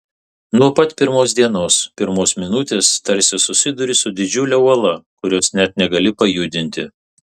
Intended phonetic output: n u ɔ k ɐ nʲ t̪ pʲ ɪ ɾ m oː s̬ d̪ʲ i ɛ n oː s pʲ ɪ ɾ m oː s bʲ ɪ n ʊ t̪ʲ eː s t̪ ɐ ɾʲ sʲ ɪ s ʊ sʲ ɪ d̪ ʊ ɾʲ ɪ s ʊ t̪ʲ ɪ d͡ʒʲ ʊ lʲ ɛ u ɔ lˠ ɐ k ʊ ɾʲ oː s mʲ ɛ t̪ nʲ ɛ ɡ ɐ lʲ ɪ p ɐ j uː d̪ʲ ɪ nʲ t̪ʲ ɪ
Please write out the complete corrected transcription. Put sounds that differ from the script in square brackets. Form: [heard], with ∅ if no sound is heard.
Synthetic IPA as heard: n u ɔ [p] ɐ [∅] t̪ pʲ ɪ ɾ m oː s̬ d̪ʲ i ɛ n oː s pʲ ɪ ɾ m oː s [mʲ] ɪ n ʊ t̪ʲ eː s t̪ ɐ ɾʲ sʲ ɪ s ʊ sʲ ɪ d̪ ʊ ɾʲ ɪ s ʊ [d̪ʲ] ɪ d͡ʒʲ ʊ lʲ ɛ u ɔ lˠ ɐ k ʊ ɾʲ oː s [nʲ] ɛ t̪ nʲ ɛ ɡ ɐ lʲ ɪ p ɐ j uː d̪ʲ ɪ nʲ t̪ʲ ɪ